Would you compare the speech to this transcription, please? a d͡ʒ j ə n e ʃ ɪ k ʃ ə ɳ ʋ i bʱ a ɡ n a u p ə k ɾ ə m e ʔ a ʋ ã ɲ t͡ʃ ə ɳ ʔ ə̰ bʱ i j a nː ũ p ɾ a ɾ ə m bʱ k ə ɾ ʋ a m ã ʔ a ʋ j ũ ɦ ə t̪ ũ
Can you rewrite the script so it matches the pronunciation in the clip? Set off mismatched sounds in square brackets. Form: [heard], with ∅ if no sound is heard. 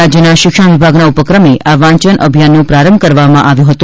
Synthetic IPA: a d͡ʒ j ə n [a] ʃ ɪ k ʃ ə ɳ ʋ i bʱ a ɡ n a u p ə k ɾ ə m e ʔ a ʋ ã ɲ t͡ʃ ə [n] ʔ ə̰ bʱ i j a nː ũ p ɾ a ɾ ə m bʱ k ə ɾ ʋ a m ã ʔ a ʋ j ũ ɦ ə t̪ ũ